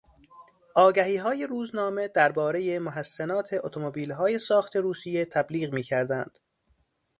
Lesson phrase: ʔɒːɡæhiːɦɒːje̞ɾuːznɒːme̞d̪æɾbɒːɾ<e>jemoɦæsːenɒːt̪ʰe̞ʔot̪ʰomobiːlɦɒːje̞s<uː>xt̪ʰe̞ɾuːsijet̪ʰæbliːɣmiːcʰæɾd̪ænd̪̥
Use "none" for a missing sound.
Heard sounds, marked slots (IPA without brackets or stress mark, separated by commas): e, ɒː